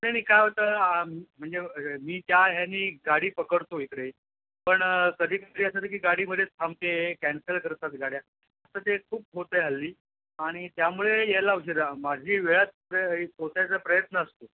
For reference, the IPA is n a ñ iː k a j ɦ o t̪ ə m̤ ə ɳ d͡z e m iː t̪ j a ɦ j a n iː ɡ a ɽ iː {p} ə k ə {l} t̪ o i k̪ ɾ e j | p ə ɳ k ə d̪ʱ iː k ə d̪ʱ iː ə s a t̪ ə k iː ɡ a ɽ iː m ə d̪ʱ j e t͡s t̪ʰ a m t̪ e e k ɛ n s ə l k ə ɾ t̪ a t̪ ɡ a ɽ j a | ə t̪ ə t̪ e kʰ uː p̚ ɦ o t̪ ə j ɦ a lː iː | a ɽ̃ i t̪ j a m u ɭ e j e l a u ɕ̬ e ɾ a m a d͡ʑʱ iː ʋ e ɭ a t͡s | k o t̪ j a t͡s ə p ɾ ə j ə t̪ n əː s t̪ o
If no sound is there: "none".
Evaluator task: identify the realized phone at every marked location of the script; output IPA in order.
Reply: p, ɽ

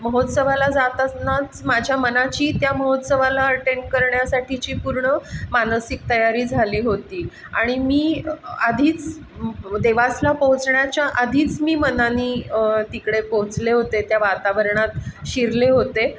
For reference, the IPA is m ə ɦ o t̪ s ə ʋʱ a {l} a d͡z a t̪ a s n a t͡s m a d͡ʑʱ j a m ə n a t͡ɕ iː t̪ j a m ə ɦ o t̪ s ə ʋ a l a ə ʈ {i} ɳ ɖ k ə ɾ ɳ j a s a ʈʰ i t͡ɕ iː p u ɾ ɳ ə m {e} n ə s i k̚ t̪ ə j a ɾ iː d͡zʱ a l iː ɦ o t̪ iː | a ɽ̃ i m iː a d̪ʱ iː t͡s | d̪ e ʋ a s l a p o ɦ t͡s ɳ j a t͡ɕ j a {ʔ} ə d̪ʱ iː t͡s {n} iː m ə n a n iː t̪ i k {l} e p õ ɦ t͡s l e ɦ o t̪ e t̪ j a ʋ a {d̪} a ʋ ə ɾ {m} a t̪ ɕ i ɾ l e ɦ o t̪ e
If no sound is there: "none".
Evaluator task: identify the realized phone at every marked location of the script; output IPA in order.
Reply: l, e, a, ʔ, m, ɽ, t̪, ɳ

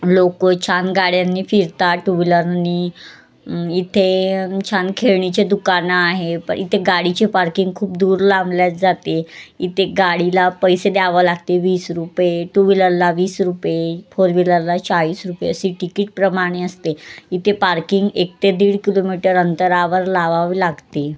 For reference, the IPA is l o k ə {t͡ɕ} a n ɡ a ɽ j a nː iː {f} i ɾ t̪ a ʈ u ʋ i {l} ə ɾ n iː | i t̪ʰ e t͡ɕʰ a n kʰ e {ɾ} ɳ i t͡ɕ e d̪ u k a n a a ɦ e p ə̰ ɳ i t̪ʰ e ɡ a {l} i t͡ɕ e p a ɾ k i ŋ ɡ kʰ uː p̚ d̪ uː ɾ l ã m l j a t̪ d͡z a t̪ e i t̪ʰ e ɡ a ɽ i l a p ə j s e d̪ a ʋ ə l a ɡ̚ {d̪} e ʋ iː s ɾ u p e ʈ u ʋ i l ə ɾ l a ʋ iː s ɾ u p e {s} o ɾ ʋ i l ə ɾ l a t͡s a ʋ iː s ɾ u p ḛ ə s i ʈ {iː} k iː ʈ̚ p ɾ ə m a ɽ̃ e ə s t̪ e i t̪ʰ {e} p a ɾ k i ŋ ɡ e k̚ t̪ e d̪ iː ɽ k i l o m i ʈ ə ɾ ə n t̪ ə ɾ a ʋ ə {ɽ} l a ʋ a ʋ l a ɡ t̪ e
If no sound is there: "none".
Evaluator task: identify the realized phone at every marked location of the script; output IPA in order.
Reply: t͡ɕʰ, f, l, ɭ, ɽ, t̪, f, i, e, ɾ

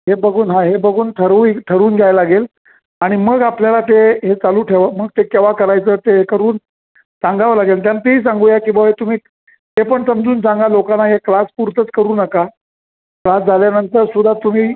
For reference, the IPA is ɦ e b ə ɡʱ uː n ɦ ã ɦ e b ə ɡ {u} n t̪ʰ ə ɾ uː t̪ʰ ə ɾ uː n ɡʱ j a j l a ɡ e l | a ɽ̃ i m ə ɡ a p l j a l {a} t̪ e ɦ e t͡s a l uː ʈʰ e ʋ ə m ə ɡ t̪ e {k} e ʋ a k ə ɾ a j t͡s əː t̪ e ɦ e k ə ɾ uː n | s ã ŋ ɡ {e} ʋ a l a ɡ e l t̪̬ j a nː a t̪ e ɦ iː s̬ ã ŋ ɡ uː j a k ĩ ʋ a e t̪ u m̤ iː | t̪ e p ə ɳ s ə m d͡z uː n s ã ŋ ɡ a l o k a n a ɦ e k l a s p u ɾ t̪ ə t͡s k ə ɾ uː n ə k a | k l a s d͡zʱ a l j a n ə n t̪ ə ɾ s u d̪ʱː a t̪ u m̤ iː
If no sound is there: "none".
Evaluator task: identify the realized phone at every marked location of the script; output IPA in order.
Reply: uː, a, k, a

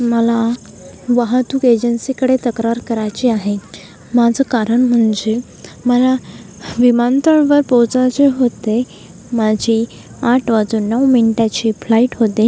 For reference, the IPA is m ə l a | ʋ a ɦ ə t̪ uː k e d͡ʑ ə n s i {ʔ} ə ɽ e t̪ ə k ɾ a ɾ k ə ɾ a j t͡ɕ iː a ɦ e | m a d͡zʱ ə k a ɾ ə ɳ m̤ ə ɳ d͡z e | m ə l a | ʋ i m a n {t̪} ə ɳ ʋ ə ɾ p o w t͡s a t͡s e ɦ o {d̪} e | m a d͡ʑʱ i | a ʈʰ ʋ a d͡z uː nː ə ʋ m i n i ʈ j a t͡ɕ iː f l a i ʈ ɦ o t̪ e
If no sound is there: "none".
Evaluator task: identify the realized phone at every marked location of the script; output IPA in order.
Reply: k, t̪, t̪

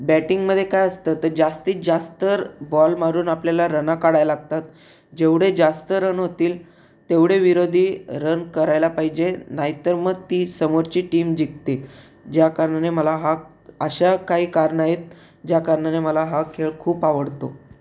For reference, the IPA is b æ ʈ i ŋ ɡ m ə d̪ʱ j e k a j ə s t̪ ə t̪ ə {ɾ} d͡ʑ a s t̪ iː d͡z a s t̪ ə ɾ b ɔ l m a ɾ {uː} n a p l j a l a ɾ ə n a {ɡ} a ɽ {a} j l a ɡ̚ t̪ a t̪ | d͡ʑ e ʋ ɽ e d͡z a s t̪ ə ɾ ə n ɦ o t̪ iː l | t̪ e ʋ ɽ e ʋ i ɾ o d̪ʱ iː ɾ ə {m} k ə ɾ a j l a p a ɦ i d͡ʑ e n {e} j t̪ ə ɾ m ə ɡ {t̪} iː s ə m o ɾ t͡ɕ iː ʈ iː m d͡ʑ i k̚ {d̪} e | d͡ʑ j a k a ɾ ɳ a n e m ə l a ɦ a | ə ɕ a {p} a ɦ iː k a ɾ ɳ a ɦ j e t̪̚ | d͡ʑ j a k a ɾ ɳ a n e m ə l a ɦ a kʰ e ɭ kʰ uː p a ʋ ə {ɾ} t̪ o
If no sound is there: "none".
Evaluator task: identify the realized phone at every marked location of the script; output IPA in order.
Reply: ɾ, uː, k, a, n, a, t̪, t̪, k, ɽ

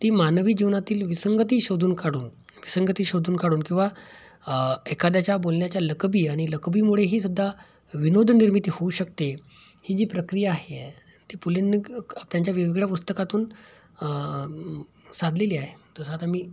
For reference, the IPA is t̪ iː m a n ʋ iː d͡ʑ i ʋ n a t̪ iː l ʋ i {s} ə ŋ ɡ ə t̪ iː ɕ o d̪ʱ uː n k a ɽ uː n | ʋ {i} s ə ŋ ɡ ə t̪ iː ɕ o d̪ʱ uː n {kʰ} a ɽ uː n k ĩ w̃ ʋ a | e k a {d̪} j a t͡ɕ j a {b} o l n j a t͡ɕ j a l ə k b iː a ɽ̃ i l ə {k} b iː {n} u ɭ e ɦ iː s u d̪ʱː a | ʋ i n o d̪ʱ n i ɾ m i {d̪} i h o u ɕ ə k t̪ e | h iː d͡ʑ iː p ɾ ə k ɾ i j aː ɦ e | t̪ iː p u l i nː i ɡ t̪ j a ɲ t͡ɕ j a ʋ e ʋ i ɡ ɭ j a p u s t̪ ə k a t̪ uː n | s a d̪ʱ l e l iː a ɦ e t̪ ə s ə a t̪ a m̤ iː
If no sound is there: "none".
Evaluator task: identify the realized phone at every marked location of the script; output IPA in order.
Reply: s, i, k, d̪, b, k, m, t̪

